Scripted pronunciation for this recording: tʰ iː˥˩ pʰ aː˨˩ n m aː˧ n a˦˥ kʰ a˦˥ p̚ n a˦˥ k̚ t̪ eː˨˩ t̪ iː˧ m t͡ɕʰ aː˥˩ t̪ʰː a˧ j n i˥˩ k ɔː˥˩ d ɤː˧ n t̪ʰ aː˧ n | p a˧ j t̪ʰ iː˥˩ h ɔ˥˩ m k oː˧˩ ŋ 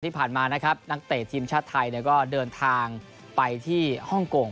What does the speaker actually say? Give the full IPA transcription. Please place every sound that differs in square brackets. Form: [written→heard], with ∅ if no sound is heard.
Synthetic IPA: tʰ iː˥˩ pʰ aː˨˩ n m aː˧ n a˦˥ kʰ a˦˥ p̚ n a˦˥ k̚ t̪ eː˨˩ [t̪→t̪ʰ] iː˧ m t͡ɕʰ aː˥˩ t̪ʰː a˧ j n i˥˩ k ɔː˥˩ d ɤː˧ n t̪ʰ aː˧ [n→ŋ] | p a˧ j t̪ʰ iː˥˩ h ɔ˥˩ [m→ŋ] k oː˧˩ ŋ